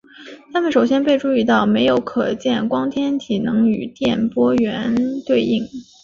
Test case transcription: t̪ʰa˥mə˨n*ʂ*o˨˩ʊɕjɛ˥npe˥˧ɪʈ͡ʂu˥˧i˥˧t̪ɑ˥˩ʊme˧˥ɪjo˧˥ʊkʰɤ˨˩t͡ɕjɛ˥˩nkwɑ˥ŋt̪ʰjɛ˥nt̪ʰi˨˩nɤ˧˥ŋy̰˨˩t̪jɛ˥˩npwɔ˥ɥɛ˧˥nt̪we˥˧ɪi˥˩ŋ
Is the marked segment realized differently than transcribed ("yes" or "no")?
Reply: no